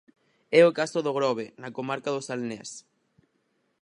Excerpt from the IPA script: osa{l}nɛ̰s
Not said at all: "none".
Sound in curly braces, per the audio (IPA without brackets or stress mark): l